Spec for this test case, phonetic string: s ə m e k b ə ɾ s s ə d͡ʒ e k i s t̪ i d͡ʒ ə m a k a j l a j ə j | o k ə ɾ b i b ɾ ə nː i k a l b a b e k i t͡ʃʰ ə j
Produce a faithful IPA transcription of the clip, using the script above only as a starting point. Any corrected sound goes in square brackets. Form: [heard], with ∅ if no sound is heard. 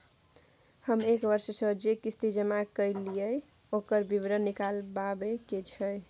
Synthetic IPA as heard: [h] ə m e k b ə ɾ s s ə d͡ʒ e k i s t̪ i d͡ʒ ə m a k [ə] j l [i] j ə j | o k ə ɾ b i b ɾ ə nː i k a l b a b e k [e] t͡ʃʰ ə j